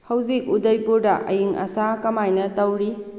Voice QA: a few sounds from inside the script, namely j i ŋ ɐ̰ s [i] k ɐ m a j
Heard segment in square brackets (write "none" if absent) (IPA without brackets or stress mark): a